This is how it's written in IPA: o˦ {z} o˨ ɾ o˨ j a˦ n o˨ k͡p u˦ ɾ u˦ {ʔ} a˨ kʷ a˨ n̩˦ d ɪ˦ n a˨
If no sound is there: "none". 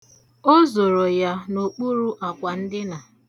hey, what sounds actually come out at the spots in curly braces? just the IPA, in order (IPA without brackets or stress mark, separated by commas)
z, ʔ